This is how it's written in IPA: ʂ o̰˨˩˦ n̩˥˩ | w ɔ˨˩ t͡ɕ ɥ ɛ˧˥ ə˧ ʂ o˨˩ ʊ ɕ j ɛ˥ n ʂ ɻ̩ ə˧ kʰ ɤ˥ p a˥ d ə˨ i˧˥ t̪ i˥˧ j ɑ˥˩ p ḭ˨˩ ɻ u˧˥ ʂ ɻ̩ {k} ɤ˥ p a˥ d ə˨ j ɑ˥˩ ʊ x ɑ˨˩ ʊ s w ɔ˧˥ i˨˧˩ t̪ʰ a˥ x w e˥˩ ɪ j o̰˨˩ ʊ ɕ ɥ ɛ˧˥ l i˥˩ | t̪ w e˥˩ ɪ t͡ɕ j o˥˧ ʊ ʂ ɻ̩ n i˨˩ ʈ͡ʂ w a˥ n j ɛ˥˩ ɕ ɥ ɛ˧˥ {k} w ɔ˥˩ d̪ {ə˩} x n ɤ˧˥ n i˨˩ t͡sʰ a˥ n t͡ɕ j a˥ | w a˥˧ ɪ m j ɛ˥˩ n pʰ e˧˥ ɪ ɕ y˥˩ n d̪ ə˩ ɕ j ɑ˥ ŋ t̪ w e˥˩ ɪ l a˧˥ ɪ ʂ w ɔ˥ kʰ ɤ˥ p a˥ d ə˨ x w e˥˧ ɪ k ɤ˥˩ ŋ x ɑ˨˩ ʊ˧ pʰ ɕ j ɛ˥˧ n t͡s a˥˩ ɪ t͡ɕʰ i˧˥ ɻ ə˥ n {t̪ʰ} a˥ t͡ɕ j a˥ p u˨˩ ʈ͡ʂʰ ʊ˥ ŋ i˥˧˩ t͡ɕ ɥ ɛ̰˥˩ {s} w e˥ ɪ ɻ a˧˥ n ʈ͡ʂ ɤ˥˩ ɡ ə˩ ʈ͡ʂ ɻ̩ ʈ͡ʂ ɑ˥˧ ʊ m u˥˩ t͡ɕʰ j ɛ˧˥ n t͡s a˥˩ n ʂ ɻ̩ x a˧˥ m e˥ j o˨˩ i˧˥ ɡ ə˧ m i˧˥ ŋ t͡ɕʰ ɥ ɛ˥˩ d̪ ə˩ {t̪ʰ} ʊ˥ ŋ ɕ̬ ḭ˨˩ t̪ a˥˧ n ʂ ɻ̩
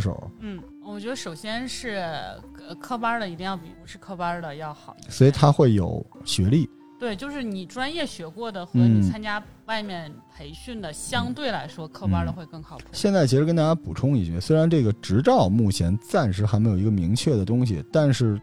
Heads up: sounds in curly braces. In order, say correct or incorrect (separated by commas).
incorrect, correct, correct, incorrect, correct, incorrect